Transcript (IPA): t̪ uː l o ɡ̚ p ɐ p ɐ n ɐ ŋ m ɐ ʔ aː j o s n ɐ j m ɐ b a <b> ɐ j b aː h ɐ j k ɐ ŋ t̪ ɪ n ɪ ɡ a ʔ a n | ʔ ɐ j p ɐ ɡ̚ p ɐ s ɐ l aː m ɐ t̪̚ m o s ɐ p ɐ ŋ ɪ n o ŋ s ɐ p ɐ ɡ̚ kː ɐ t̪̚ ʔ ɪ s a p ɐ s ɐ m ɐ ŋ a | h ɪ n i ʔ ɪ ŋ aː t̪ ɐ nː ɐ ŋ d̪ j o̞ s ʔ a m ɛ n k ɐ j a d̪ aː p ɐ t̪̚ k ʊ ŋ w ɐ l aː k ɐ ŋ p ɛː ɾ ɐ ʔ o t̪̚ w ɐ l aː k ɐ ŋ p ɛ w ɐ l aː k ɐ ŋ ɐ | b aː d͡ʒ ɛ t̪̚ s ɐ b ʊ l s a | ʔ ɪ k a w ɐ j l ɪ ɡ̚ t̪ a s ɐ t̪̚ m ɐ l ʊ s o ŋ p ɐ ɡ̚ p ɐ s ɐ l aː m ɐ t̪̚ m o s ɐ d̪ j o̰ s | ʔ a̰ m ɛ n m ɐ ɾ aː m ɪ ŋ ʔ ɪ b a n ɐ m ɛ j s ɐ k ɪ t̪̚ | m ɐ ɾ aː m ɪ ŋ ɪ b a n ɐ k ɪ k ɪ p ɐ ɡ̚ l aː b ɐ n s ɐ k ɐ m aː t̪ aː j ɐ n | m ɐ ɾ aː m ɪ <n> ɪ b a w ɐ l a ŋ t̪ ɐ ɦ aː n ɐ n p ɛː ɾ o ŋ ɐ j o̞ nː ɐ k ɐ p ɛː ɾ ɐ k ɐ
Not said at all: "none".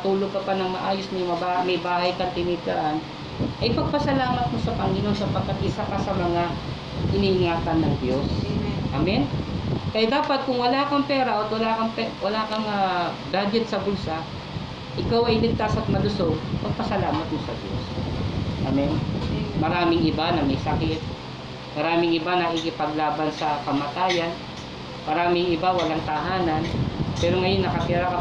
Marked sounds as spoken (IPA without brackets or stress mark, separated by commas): m, ŋ